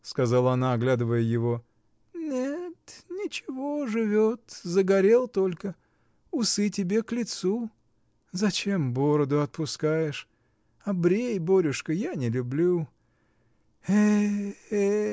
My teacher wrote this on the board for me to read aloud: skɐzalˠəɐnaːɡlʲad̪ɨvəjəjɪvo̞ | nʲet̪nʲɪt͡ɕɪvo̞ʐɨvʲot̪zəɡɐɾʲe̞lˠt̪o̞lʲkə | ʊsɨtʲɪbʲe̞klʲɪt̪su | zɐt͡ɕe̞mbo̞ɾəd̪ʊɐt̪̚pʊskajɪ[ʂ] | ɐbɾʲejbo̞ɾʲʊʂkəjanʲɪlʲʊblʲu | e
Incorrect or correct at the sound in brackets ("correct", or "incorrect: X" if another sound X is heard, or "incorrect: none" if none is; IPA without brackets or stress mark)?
correct